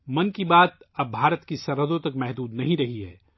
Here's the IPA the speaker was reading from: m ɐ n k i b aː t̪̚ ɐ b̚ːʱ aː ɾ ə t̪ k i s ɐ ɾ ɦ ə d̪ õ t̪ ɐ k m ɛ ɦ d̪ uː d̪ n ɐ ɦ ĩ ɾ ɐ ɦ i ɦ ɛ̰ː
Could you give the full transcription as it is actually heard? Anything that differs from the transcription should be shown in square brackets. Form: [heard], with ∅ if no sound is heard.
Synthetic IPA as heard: m ɐ n k i b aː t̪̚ ɐ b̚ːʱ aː ɾ ə t̪ k i s ɐ ɾ ɦ ə d̪ õ t̪ ɐ k m ɛ ɦ d̪ uː d̪ n ɐ ɦ ĩ ɾ ɐ ɦ i ɦ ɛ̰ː